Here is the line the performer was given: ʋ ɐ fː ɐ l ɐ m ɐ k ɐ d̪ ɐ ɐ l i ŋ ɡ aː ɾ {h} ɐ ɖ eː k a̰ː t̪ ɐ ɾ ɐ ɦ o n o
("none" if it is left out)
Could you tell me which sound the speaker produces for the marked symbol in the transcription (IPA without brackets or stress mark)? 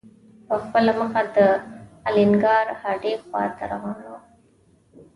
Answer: h